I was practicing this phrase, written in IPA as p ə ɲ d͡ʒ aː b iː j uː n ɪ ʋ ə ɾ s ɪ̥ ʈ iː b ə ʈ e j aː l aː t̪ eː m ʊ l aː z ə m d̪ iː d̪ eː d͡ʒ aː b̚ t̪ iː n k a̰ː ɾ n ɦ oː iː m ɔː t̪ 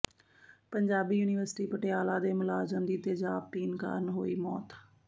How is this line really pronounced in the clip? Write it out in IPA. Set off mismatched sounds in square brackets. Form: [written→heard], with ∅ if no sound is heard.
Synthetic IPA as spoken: p ə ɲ d͡ʒ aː b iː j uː n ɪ ʋ ə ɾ s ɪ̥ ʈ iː [b→p] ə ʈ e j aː l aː [t̪→d̪] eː m ʊ l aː z ə m d̪ iː [d̪→t̪] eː d͡ʒ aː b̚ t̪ iː n k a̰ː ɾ n ɦ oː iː m ɔː t̪